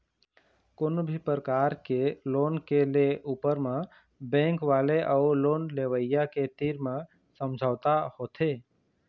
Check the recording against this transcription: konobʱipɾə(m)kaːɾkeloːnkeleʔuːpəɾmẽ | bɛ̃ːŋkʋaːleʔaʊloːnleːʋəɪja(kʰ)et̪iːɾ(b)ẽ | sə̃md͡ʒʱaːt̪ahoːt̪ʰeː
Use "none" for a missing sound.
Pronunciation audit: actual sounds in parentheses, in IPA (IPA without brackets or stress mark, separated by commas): none, k, m